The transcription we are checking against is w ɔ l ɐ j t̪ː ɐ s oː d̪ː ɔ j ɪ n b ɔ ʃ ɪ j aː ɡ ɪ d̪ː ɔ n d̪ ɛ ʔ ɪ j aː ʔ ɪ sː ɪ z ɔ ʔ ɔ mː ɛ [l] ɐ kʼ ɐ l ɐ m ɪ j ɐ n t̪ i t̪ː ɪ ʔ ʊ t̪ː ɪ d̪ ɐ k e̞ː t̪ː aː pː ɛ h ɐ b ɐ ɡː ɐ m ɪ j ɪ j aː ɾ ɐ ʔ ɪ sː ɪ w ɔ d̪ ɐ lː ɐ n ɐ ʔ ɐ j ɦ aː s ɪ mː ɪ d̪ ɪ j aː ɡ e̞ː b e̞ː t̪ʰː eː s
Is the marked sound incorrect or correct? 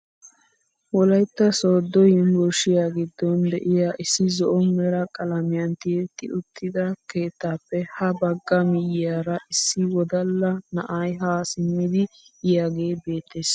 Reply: incorrect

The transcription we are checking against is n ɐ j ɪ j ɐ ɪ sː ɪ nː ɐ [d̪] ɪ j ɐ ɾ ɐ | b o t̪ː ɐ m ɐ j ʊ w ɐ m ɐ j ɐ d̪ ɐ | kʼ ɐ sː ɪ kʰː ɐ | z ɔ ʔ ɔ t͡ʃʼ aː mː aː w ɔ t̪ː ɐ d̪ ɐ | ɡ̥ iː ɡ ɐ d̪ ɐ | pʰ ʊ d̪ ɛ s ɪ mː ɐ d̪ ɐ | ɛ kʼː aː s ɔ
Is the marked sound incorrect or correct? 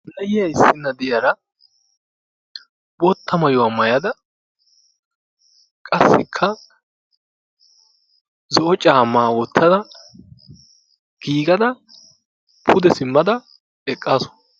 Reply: correct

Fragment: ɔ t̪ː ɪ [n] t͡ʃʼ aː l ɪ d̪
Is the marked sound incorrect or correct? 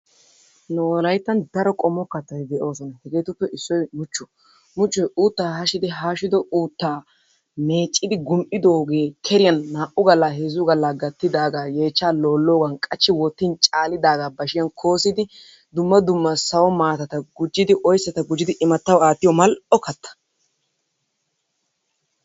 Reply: correct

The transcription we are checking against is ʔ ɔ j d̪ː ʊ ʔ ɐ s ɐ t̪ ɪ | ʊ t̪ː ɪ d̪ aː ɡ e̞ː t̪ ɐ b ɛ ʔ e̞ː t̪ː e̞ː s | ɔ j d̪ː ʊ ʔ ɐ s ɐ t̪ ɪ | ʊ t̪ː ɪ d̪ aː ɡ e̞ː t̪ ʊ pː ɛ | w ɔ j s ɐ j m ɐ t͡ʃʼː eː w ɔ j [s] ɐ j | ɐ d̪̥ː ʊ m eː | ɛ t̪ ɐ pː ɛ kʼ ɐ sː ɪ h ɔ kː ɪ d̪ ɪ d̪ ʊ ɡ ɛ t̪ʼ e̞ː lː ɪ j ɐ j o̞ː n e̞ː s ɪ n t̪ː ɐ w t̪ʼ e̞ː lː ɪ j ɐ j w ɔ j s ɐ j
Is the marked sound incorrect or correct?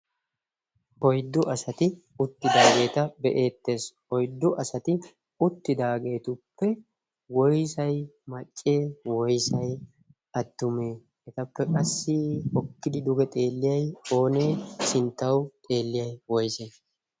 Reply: correct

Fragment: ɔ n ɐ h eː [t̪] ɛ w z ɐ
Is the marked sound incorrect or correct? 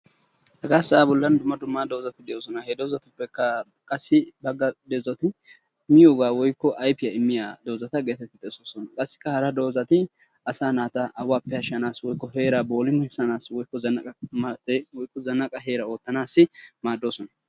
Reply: incorrect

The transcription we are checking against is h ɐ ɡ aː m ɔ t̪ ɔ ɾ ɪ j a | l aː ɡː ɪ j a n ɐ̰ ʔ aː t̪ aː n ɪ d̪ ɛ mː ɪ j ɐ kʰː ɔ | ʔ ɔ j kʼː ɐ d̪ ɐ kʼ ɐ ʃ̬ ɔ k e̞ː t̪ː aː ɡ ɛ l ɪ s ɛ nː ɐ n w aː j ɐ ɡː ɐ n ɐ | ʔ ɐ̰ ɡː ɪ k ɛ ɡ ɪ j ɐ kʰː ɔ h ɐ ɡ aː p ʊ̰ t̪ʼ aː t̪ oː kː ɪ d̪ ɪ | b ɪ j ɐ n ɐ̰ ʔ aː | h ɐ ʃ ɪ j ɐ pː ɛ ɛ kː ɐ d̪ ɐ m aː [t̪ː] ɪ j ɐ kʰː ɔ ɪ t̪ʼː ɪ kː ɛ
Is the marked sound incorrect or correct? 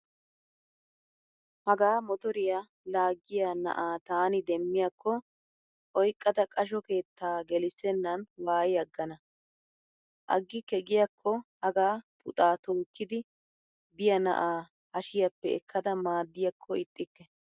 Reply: incorrect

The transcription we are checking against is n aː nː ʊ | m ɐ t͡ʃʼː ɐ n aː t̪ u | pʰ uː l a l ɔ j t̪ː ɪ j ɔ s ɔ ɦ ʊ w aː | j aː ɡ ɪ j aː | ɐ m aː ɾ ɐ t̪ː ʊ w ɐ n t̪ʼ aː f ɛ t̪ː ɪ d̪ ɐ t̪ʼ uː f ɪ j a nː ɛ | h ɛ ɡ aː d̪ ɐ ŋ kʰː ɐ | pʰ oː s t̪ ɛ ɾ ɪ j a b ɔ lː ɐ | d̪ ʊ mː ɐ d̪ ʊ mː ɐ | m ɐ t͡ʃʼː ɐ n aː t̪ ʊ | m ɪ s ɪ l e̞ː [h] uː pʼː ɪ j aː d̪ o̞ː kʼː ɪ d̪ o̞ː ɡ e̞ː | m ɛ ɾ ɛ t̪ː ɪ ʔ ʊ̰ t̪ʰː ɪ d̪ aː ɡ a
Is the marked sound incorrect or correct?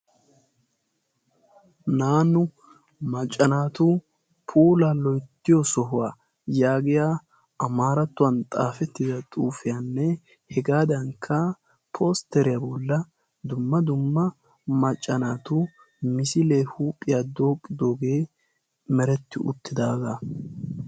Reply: correct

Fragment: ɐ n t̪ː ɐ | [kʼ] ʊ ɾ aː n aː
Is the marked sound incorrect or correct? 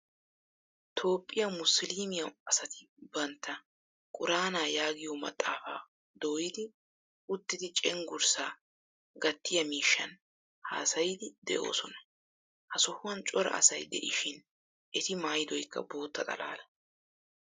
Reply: correct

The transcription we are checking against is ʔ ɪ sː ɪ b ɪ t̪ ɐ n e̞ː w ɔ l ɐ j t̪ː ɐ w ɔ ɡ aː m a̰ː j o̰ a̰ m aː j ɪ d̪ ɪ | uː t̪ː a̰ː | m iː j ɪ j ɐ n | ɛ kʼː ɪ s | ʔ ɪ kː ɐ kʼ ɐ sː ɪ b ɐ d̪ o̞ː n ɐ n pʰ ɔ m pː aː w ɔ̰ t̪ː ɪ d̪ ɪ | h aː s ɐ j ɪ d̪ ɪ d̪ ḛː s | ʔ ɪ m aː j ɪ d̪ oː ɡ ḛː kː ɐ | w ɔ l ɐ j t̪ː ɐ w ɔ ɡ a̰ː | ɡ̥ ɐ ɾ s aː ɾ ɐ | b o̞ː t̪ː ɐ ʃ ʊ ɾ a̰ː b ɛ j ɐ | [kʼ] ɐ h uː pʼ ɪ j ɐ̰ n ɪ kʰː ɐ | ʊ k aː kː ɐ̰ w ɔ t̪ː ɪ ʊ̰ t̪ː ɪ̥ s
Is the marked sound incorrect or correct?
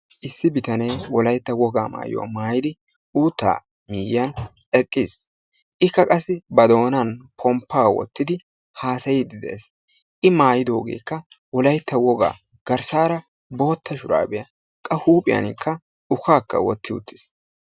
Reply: correct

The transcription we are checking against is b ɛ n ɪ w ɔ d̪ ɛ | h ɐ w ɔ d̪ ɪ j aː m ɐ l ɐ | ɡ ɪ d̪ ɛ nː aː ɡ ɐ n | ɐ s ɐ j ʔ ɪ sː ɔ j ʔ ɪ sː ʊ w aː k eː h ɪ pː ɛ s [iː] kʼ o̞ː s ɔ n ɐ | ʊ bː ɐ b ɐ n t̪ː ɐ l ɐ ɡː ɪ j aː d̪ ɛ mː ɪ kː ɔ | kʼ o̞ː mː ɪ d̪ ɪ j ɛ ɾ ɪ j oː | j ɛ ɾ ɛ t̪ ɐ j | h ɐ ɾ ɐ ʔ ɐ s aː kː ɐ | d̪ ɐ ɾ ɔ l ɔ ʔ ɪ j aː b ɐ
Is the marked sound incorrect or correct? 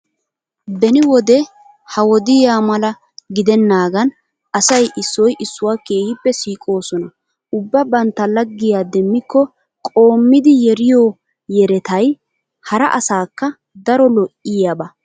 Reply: correct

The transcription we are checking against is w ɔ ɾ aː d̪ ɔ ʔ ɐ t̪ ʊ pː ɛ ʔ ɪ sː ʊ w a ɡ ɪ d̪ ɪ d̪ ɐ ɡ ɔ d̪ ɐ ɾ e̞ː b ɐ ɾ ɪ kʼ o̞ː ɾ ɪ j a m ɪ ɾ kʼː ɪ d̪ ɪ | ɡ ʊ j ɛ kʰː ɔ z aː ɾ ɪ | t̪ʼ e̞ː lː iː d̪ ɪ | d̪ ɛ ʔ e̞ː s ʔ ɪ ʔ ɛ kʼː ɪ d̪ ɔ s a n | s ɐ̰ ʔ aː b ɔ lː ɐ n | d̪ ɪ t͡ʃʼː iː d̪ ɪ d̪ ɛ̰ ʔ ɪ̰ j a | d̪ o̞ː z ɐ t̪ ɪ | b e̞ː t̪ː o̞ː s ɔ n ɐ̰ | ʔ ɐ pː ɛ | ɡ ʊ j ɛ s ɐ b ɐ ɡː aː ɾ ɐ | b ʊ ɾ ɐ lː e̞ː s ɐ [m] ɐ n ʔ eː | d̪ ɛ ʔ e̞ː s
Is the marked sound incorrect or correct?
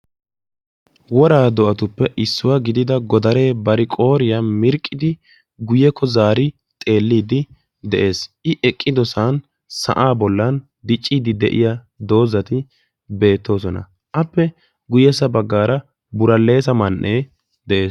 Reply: correct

